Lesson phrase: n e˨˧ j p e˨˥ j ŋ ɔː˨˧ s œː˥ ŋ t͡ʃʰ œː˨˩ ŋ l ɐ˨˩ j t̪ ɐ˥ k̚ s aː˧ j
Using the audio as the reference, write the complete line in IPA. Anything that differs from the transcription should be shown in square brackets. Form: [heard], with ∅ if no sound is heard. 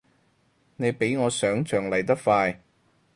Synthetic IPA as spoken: n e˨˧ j p e˨˥ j ŋ ɔː˨˧ s [œː˨˥] ŋ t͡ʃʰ œː˨˩ ŋ l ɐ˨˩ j t̪ ɐ˥ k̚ [f] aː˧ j